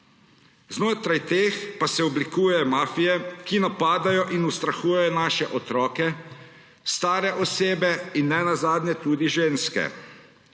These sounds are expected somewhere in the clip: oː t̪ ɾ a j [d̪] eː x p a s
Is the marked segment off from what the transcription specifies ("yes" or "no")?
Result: yes